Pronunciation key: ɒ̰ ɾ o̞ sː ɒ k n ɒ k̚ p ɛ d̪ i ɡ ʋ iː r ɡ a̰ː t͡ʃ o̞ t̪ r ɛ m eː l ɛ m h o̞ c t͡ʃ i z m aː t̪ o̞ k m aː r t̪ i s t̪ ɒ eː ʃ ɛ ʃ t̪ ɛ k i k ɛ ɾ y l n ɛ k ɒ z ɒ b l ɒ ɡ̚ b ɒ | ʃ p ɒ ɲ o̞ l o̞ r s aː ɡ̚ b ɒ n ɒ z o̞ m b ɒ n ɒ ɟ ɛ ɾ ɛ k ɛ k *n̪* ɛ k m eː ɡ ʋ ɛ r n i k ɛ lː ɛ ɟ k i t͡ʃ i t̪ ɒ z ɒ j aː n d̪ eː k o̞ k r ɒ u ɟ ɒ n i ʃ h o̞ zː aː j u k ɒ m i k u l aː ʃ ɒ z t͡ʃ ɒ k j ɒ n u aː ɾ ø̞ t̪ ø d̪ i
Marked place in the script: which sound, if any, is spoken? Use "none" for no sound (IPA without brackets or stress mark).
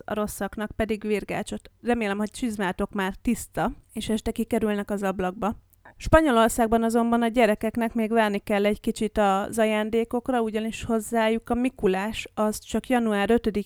n̪